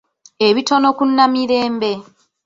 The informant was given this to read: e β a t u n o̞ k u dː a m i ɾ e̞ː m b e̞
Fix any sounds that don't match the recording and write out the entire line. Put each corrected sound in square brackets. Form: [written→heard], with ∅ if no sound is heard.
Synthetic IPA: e β [a→i] t [u→o] n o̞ k u [dː→nː] a m i ɾ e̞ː m b e̞